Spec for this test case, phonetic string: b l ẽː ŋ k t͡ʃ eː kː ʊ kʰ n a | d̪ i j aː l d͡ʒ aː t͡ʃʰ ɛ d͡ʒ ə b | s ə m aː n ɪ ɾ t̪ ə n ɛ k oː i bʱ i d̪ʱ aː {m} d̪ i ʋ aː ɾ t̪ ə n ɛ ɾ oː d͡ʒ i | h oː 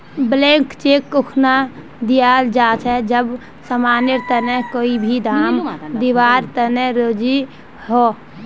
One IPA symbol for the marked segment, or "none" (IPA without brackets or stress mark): m